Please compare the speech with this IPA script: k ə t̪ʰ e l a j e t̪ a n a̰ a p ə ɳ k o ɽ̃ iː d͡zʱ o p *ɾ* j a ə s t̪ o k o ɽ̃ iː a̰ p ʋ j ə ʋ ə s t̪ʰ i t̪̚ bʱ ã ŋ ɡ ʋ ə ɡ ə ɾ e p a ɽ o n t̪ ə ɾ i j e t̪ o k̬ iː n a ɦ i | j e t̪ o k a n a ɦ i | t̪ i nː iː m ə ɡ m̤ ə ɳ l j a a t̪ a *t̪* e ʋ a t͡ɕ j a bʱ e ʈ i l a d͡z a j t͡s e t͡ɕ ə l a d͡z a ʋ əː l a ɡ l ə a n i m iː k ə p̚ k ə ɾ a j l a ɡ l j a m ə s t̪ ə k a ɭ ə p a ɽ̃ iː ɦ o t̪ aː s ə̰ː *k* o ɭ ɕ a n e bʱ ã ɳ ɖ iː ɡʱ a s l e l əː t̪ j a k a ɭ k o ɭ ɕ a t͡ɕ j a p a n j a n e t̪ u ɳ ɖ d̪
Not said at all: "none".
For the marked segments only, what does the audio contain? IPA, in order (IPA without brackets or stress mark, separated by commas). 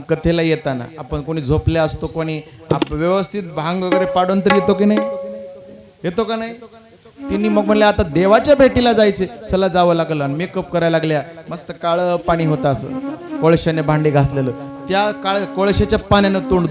l, d̪, k